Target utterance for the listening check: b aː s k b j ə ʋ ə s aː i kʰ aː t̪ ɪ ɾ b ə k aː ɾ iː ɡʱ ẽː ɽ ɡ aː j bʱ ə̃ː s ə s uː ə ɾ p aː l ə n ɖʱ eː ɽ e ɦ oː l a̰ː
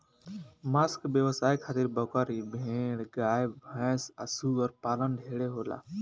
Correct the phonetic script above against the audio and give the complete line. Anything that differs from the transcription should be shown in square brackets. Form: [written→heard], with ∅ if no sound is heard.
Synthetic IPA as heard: [b→m] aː s k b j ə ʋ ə s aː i kʰ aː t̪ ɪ ɾ b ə k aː ɾ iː [ɡʱ→bʱ] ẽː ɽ ɡ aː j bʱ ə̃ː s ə s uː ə ɾ p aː l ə n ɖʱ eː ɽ e ɦ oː l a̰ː